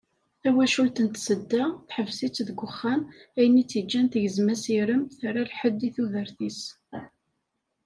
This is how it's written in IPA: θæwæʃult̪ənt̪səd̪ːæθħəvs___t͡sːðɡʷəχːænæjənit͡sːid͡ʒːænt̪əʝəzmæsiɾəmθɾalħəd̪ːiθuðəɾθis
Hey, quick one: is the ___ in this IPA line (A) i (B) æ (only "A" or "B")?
A